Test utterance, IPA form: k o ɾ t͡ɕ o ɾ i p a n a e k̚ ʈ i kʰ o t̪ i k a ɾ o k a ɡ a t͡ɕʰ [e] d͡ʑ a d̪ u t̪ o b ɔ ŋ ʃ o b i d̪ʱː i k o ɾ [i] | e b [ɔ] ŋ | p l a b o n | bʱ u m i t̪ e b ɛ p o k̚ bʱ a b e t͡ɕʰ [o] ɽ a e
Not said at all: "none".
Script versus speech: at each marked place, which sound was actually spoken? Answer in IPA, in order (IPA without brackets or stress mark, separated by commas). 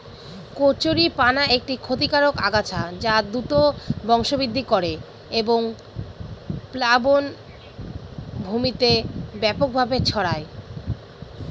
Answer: a, e, o, ɔ